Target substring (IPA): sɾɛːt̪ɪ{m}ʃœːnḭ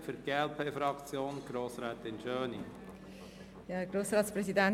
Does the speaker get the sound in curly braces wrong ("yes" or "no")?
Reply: yes